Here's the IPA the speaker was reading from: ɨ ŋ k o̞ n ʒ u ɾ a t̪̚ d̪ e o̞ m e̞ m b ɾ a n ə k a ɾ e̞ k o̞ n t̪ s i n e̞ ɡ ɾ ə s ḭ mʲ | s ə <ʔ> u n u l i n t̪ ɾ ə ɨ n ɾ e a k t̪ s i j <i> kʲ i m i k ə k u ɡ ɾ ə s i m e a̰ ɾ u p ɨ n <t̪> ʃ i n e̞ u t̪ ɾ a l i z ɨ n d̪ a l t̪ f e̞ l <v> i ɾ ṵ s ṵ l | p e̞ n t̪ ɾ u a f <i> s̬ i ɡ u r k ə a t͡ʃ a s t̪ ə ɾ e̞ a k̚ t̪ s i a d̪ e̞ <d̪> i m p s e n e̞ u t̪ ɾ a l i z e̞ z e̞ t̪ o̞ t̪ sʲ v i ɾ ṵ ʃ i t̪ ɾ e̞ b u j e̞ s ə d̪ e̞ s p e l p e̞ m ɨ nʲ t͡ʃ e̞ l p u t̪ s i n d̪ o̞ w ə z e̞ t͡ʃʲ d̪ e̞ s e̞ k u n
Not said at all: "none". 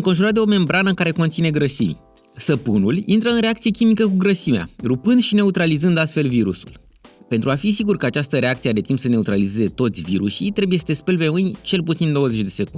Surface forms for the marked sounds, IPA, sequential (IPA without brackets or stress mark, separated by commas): p, e, d̪, v, i, t̪